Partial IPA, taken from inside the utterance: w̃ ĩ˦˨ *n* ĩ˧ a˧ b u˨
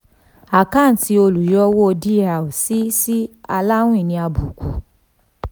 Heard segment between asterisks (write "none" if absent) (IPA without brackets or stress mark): n